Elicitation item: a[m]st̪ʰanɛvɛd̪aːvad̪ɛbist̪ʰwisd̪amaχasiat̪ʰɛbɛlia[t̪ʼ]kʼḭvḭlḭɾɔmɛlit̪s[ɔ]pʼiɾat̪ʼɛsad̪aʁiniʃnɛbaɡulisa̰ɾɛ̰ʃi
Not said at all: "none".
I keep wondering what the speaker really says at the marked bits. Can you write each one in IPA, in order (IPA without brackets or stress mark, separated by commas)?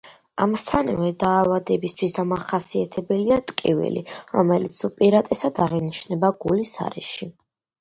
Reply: m, t̪ʼ, u